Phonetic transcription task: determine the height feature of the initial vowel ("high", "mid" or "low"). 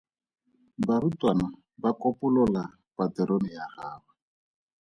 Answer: low